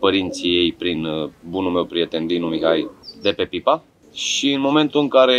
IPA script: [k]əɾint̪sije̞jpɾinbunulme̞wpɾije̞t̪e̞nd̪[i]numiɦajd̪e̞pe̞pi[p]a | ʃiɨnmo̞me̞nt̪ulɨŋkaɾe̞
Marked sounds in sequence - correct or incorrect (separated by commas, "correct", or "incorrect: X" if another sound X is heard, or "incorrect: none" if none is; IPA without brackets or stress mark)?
incorrect: p, correct, correct